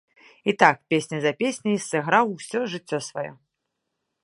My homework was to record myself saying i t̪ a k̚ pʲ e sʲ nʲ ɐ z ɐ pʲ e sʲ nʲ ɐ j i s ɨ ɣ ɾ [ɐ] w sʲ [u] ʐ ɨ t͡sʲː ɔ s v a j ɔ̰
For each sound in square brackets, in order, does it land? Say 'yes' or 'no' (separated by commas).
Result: no, no